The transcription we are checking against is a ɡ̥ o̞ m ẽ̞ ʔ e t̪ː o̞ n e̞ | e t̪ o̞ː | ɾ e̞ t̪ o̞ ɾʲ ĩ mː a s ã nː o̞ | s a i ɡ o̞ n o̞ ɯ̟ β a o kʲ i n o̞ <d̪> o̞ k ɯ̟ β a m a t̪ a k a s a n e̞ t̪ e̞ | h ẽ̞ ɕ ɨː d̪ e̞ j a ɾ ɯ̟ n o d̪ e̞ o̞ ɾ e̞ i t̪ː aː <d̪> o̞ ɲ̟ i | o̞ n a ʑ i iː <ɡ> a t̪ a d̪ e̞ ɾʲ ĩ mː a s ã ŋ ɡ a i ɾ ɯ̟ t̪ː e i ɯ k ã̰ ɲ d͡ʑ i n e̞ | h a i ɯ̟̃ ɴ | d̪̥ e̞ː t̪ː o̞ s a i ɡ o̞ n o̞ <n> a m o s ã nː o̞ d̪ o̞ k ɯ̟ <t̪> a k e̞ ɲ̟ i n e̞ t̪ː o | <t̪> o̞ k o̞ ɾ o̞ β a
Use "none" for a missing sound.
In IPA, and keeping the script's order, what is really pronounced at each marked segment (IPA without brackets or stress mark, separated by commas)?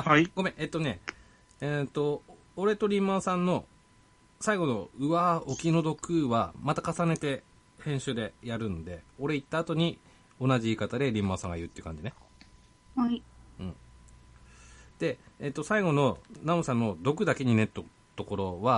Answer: d̪, t̪, k, n, d̪, t̪